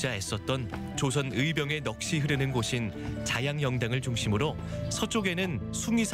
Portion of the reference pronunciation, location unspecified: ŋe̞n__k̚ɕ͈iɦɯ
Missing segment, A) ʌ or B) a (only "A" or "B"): A